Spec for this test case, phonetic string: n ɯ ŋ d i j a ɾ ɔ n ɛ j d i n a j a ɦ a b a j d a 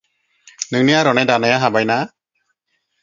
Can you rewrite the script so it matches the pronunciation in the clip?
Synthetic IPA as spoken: n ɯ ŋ n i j a ɾ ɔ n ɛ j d a n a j a ɦ a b a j n a